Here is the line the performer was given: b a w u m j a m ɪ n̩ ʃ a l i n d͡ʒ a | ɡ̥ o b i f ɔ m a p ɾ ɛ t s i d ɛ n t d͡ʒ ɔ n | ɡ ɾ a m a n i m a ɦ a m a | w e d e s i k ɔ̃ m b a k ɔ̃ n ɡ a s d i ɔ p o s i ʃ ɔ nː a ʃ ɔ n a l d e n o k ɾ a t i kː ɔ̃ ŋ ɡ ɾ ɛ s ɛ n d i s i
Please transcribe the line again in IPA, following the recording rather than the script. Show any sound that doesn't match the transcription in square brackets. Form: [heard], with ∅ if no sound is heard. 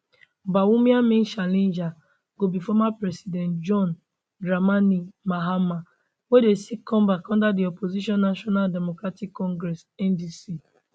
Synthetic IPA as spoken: b a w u m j a m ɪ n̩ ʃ a l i n d͡ʒ a | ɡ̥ o b i f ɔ m a p ɾ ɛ [∅] s i d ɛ n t d͡ʒ ɔ n | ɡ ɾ a m a n i m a ɦ a m a | w e d e s i k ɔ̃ m b a k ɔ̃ n [d] a [∅] d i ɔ p o [z] i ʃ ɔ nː a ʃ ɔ n a l d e [m] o k ɾ a t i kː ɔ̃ ŋ ɡ ɾ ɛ s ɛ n d i s i

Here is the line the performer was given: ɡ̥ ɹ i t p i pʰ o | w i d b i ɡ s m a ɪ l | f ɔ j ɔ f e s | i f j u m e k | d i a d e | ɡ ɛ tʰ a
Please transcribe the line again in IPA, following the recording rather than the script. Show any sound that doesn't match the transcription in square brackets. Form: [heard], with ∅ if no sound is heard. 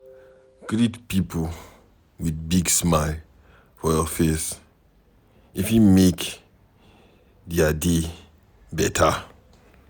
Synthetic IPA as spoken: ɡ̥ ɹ i t p i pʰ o | w i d b i ɡ s m a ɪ l | f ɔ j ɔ f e s | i f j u m e k | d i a d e | [b] ɛ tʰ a

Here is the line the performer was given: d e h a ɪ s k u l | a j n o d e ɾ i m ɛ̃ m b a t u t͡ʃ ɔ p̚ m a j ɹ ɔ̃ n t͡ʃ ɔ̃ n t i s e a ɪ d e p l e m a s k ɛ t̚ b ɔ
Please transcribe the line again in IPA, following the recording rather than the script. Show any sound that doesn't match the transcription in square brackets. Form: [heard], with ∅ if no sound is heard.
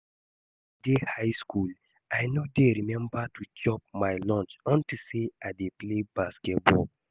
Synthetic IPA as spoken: d e h a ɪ s k u l | a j n o d e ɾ i m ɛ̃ m b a t u t͡ʃ ɔ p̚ m a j [l] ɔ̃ n t͡ʃ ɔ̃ n t i s e a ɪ d e p l e [b] a s k ɛ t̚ b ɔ

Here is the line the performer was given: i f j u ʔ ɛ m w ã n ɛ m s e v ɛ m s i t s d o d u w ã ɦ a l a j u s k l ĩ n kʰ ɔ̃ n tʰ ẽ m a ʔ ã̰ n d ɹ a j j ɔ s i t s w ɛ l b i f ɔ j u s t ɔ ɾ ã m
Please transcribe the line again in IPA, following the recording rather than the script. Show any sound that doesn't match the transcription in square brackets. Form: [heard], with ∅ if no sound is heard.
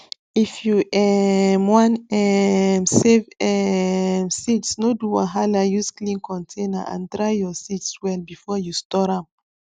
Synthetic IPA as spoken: i f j u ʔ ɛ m w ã n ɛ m s e v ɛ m s i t s [n] o d u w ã ɦ a l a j u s k l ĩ n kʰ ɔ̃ n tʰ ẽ [n] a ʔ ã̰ n d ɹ a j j ɔ s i t s w ɛ l b i f ɔ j u s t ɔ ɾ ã m

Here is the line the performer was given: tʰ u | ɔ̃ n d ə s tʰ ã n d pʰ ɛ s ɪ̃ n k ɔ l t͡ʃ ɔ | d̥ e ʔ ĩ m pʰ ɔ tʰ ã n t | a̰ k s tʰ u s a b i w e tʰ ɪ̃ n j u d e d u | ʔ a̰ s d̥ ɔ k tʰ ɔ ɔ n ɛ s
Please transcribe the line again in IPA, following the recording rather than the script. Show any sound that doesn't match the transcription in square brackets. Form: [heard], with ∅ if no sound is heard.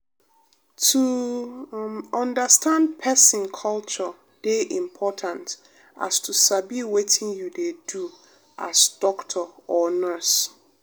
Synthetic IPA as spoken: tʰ u | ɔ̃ n d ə s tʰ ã n d pʰ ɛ s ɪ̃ n [kʰ] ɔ l t͡ʃ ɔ | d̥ e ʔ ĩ m pʰ ɔ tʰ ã n t | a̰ [∅] s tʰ u s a b i w e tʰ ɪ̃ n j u d e d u | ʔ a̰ s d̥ ɔ k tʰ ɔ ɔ n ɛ s

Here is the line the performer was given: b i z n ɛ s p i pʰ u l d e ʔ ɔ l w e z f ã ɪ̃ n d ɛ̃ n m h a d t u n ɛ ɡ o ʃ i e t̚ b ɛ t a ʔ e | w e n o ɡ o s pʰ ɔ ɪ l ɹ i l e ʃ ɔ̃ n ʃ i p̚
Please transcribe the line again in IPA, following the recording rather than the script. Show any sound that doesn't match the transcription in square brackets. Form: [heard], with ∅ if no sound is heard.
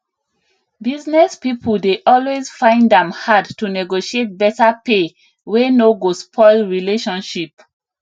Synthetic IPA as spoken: b i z n ɛ s p i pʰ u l d e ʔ ɔ l w e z f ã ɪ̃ n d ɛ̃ [∅] m h a d t u n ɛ ɡ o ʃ i e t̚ b ɛ t a [p] e | w e n o ɡ o s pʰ ɔ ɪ l ɹ i l e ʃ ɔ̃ n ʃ i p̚

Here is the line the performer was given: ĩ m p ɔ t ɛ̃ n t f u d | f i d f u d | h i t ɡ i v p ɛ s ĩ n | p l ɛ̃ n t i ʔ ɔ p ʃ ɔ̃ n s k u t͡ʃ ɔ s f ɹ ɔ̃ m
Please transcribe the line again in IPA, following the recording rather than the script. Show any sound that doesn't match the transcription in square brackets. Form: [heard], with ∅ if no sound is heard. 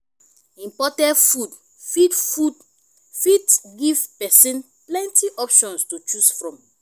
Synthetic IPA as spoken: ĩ m p ɔ t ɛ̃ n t f u d | f i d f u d | [f] i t ɡ i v p ɛ s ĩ n | p l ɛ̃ n t i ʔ ɔ p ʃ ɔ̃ n s [t] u t͡ʃ [u] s f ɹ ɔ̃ m

